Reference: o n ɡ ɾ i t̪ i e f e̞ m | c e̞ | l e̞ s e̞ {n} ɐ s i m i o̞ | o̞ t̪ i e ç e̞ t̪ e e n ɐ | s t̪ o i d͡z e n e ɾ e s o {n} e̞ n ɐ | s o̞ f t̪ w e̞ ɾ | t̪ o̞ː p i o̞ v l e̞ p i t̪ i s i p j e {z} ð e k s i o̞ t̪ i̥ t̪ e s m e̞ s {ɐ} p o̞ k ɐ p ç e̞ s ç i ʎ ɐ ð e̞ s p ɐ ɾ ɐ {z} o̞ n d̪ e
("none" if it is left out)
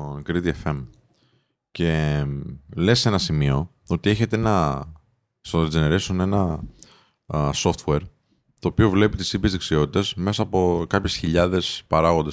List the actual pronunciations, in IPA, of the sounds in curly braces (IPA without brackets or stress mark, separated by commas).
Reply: n, n, z, ɐː, ɣ